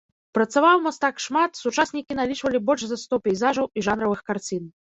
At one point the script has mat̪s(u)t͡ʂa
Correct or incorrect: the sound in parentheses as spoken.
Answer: correct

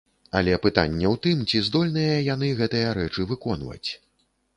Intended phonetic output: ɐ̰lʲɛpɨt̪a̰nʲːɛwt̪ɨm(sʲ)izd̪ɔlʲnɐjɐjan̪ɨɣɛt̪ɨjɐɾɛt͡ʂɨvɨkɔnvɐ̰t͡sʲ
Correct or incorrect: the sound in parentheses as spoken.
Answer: incorrect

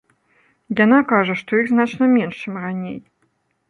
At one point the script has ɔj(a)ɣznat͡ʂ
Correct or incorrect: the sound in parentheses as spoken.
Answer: incorrect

